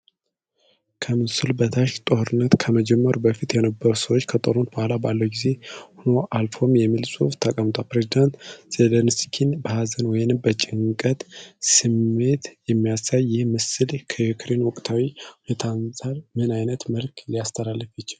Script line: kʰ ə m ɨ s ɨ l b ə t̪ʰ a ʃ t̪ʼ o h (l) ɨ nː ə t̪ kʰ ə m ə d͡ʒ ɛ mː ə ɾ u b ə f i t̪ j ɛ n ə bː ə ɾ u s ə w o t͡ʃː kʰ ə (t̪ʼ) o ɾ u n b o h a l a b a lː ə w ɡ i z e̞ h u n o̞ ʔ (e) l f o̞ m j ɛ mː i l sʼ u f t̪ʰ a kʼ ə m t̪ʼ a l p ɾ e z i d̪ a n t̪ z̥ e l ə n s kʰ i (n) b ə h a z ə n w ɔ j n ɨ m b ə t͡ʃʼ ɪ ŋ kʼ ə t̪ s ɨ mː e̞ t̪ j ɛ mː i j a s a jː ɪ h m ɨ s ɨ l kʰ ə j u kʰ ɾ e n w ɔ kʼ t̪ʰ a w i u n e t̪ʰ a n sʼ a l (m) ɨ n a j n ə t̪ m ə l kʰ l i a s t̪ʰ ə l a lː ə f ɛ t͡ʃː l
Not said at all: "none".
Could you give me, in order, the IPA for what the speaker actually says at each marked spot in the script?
ɾ, t̪ʼ, a, n, m

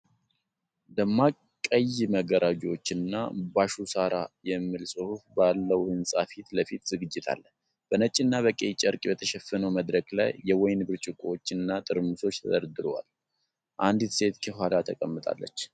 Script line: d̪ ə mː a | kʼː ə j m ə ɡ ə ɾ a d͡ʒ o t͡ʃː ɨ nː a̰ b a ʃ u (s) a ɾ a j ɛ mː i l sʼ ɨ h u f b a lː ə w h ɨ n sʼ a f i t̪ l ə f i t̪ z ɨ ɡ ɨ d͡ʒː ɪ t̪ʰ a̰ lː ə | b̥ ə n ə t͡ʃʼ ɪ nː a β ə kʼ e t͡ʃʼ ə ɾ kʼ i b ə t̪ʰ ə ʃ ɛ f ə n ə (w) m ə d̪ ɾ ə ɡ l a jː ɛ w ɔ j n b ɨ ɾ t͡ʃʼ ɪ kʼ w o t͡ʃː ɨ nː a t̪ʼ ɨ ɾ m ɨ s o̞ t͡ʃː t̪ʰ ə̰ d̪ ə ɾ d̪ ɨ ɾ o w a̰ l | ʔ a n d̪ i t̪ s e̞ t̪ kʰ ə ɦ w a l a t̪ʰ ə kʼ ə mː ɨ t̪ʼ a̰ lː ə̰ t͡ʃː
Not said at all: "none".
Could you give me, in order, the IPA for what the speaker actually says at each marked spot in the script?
s, w

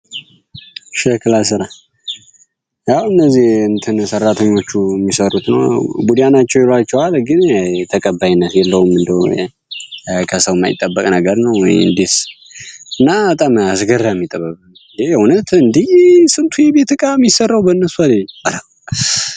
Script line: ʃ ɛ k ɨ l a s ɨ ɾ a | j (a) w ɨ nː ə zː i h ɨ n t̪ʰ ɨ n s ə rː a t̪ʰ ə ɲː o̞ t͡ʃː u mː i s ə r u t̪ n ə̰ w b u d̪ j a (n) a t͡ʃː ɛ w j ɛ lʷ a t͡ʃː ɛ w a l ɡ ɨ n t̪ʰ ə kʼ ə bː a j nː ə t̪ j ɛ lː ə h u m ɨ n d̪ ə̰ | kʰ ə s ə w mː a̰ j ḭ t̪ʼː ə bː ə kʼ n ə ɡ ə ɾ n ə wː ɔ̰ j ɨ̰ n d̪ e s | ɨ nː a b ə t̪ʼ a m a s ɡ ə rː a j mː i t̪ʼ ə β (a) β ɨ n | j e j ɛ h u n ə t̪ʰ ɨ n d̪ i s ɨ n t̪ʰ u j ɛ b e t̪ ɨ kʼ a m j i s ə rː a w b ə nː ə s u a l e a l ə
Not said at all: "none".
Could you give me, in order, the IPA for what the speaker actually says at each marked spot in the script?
a, n, ə

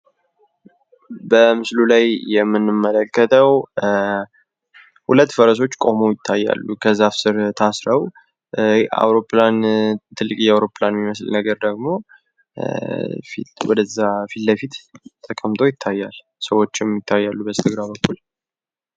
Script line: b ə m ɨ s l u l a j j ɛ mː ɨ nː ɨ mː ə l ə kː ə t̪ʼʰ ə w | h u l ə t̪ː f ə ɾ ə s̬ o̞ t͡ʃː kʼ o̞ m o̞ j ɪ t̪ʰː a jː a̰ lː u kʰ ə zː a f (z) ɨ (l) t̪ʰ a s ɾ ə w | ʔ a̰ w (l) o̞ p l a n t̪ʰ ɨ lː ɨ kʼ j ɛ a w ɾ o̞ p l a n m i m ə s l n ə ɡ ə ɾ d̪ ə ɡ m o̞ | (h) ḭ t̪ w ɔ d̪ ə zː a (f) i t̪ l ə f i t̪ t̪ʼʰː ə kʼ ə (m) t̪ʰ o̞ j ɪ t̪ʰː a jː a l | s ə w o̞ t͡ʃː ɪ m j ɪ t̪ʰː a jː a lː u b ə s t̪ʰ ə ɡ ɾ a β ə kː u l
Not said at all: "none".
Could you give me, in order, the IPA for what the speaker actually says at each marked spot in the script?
s, ɾ, ɾ, f, f, m

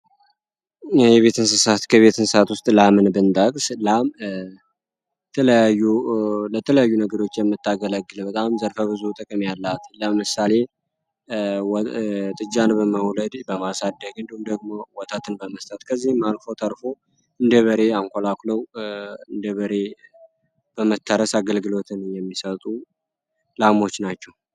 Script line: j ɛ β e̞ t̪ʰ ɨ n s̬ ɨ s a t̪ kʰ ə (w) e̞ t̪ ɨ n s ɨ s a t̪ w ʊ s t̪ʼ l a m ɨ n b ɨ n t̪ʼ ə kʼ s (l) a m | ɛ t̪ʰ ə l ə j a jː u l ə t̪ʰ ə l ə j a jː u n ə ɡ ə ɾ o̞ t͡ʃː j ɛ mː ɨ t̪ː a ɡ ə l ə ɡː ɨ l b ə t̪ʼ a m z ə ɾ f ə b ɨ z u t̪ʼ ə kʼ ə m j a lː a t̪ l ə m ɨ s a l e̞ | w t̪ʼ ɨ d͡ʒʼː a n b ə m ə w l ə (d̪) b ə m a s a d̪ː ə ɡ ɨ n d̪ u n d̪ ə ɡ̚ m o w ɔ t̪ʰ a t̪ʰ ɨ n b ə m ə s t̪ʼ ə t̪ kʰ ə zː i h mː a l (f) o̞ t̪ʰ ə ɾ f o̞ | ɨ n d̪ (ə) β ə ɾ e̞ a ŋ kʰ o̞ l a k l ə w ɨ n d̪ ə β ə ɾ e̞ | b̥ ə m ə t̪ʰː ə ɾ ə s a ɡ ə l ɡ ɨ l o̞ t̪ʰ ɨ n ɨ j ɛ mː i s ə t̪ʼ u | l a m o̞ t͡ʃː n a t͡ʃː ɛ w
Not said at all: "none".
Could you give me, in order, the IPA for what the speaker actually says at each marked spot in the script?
β, l, d̪, f, ə

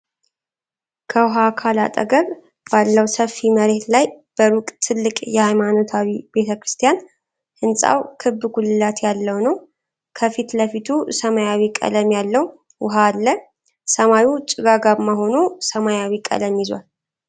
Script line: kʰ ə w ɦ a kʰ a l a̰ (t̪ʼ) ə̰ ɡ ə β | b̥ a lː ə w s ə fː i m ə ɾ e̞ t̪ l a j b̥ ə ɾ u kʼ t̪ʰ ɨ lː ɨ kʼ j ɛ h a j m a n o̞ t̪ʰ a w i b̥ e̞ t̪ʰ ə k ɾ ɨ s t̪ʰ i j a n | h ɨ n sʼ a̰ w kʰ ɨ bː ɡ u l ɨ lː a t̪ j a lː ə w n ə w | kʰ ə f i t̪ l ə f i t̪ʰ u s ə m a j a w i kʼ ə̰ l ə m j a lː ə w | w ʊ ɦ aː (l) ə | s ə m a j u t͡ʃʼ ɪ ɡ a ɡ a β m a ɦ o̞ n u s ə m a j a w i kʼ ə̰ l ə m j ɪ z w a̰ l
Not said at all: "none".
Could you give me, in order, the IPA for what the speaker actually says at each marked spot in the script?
t̪ʼ, lː

